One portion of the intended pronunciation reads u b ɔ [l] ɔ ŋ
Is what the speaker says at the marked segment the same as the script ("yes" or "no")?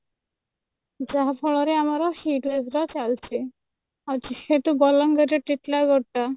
yes